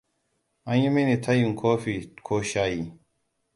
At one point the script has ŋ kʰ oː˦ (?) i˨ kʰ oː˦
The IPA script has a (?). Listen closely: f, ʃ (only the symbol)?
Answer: f